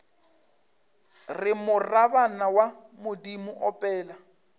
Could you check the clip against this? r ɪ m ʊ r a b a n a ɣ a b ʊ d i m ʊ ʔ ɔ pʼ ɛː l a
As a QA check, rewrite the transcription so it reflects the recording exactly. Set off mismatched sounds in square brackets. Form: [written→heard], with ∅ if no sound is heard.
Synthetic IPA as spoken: r ɪ m ʊ r a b a n a [ɣ→w] a [b→m] ʊ d i m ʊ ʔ ɔ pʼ ɛː l a